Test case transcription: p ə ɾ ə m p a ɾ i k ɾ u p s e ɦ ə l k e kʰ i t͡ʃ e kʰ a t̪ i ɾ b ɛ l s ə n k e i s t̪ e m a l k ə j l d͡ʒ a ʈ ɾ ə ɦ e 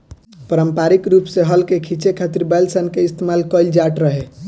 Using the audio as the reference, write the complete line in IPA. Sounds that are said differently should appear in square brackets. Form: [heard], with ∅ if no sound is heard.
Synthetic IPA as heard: p ə ɾ ə m p a ɾ i k ɾ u p s e ɦ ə l k e kʰ i t͡ʃ e kʰ a t̪ i ɾ b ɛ l s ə n k e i s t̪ e m a l k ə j l d͡ʒ a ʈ ɾ ə ɦ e